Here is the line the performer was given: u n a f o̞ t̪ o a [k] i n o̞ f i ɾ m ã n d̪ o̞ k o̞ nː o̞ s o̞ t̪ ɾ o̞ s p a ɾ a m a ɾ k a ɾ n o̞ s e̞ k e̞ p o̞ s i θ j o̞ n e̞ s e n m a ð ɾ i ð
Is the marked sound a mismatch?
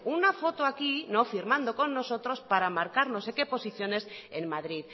no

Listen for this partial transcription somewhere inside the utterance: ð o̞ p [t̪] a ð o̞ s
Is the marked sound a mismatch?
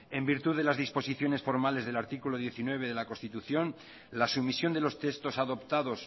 no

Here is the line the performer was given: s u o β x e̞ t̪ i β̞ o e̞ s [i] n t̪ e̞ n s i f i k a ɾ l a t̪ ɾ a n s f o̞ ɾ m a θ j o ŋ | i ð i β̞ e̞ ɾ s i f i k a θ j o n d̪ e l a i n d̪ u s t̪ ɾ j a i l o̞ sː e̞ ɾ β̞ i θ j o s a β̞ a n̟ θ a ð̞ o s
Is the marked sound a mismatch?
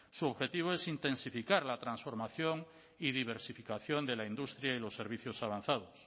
no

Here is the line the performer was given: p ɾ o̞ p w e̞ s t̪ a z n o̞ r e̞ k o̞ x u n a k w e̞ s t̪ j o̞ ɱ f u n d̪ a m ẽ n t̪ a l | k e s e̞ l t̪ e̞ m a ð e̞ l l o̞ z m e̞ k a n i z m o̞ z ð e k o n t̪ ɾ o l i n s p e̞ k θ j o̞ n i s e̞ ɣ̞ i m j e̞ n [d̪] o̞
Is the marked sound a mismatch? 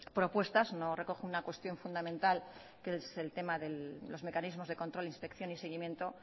yes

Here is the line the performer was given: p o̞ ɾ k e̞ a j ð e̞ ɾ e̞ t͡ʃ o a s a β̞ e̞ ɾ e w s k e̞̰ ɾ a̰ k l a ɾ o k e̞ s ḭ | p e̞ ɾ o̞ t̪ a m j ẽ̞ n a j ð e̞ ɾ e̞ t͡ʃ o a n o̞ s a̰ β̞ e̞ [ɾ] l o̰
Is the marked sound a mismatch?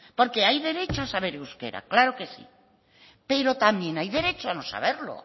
no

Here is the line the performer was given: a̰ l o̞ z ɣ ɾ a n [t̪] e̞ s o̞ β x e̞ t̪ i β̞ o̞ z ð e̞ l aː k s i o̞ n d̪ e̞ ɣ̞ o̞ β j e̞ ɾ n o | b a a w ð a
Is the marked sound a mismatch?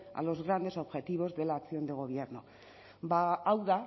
yes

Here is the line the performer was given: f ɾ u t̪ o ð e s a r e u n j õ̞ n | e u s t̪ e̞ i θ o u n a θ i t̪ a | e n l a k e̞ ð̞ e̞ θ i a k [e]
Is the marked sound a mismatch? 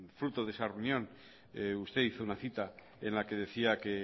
no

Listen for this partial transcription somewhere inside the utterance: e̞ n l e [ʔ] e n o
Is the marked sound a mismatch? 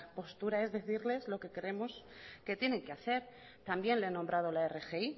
yes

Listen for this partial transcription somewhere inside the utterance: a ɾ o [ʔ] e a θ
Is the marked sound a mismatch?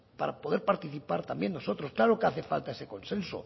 yes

